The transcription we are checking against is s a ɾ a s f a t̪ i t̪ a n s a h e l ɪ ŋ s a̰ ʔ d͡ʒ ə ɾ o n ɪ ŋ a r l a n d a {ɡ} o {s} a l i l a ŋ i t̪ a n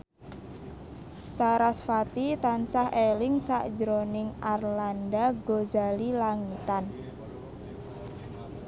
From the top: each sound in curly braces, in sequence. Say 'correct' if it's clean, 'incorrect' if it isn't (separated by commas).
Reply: correct, incorrect